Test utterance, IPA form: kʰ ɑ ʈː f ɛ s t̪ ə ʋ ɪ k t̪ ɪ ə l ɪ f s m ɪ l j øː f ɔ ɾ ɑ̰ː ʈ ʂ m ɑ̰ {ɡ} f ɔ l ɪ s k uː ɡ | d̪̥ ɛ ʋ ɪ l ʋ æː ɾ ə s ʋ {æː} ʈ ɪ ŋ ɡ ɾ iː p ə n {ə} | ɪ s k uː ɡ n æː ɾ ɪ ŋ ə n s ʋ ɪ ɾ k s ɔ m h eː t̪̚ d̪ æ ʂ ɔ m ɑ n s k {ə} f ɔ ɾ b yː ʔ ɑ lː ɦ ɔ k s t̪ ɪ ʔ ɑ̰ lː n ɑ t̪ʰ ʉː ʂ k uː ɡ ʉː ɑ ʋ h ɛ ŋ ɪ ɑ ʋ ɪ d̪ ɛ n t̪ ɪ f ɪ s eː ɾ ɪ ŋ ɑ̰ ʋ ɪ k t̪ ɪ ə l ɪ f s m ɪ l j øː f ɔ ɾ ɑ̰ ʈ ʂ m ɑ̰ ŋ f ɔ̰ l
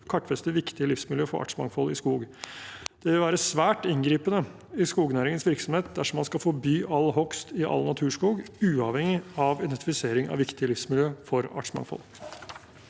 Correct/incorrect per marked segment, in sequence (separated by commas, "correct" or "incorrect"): incorrect, correct, correct, incorrect